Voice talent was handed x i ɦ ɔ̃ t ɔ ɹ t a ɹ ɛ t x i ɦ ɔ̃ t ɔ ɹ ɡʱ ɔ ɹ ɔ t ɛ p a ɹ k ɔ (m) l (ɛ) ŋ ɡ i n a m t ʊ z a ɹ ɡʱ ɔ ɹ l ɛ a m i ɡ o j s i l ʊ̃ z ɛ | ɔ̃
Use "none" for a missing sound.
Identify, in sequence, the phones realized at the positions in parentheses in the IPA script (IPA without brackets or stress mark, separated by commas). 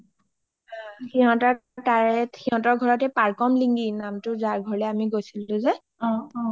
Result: m, i